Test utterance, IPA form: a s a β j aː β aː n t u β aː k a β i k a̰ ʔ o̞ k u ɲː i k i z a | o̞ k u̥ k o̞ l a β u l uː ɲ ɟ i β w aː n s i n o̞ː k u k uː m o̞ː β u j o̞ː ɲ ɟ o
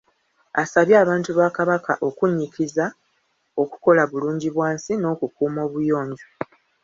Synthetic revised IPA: a s a β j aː β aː n t u β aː k a β a k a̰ ʔ o̞ k u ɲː i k i z a | o̞ k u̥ k o̞ l a β u l uː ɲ ɟ i β w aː n s i n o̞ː k u k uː m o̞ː β u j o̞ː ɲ ɟ o